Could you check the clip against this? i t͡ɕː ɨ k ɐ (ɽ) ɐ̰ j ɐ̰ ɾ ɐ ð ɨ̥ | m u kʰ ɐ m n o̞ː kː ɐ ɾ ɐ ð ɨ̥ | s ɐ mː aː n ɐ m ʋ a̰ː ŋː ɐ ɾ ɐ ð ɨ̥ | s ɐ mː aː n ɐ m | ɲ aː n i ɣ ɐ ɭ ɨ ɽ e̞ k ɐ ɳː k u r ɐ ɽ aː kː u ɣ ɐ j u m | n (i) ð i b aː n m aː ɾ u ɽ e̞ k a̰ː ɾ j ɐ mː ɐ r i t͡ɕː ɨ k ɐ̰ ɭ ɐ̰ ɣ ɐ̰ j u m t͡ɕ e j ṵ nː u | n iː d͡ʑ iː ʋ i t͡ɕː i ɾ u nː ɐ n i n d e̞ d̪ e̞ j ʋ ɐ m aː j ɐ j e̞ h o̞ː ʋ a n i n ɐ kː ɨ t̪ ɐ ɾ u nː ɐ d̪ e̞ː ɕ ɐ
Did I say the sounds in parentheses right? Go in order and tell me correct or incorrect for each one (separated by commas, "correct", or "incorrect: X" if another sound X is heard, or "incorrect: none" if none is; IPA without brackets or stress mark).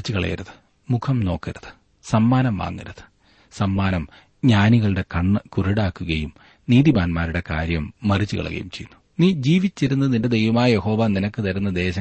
incorrect: ɭ, incorrect: iː